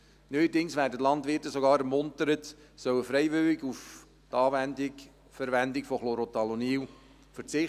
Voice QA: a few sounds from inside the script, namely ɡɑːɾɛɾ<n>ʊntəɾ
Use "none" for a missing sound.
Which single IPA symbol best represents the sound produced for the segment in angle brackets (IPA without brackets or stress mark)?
m